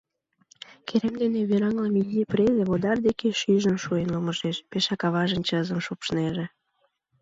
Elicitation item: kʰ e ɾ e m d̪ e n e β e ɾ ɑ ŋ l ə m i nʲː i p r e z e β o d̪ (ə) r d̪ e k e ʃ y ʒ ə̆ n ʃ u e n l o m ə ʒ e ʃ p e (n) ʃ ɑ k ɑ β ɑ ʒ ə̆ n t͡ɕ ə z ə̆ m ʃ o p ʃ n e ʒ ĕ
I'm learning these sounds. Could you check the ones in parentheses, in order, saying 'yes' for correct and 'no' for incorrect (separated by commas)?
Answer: no, no